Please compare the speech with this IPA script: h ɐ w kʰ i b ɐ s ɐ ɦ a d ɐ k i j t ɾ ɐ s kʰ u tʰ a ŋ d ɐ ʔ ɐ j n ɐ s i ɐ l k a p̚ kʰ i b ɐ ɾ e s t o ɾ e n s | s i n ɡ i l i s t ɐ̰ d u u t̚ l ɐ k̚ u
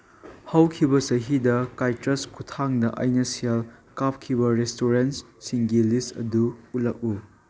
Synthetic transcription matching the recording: h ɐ w kʰ i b ɐ s ɐ ɦ i d ɐ k a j t ɾ ɐ s kʰ u tʰ a ŋ d ɐ ʔ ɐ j n ɐ s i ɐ l k a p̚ kʰ i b ɐ ɾ e s t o ɾ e n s | s i ŋ ɡ i l i s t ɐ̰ d u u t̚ l ɐ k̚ u